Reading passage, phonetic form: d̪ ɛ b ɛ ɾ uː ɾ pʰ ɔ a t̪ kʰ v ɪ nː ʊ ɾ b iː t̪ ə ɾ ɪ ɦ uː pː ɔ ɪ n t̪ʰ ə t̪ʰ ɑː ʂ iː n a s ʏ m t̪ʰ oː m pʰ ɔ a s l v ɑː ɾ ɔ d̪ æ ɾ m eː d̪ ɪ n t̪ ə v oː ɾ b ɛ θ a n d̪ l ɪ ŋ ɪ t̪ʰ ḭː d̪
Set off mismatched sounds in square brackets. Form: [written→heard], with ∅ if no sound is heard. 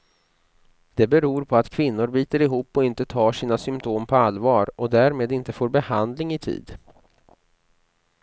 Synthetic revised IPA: d̪ ɛ b ɛ ɾ uː ɾ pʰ ɔ a t̪ kʰ v ɪ nː ʊ ɾ b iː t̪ ə ɾ ɪ ɦ uː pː ɔ ɪ n [t̪ʰ→t̪] ə t̪ʰ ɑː ʂ iː n a s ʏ m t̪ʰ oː m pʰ ɔ a [s→∅] l v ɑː ɾ ɔ d̪ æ ɾ m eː d̪ ɪ n t̪ ə [v→f] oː ɾ b ɛ [θ→h] a n d̪ l ɪ ŋ ɪ t̪ʰ ḭː d̪